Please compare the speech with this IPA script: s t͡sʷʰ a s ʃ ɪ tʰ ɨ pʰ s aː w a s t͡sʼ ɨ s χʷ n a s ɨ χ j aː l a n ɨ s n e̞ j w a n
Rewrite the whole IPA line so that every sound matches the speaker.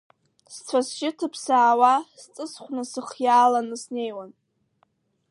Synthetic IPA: s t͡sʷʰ a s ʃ ɪ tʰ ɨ pʰ s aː w a s t͡sʼ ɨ s χʷ n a s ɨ χ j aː l a n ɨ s n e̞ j w a n